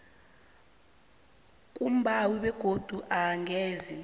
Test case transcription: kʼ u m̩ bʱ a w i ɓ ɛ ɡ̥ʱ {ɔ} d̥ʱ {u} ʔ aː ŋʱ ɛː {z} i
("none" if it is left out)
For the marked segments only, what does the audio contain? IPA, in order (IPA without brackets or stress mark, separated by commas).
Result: o, u, z